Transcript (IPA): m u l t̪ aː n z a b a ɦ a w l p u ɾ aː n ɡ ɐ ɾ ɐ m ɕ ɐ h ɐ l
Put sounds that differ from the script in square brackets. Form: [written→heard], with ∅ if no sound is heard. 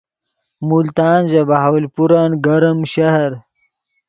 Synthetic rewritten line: m u l t̪ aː n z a b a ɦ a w l p u ɾ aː n ɡ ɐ ɾ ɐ m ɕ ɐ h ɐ [l→ɾ]